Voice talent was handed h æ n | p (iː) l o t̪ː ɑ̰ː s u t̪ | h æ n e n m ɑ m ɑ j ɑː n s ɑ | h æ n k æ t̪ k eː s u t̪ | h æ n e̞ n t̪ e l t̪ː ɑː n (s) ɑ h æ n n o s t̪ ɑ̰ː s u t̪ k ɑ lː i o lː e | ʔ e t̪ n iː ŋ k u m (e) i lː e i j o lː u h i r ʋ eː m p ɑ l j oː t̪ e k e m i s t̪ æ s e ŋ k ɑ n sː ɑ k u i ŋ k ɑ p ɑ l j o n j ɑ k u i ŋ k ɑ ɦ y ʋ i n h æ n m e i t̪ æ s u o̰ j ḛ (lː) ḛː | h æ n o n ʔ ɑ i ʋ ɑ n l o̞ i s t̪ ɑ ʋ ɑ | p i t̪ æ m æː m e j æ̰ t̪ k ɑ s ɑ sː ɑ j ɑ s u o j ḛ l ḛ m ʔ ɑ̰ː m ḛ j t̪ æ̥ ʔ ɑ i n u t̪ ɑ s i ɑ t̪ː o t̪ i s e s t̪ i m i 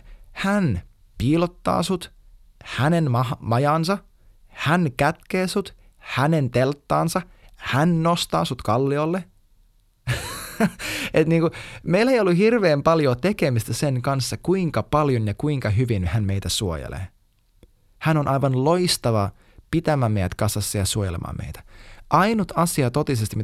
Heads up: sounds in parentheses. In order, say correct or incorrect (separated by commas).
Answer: correct, correct, correct, incorrect